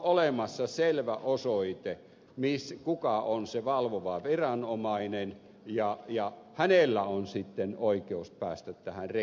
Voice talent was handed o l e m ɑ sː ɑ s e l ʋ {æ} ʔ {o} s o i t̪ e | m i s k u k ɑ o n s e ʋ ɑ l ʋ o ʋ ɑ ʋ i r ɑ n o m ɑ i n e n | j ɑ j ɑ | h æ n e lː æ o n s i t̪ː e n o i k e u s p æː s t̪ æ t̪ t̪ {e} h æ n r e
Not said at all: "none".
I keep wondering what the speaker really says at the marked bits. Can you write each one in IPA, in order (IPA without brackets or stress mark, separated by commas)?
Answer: æ, o, æ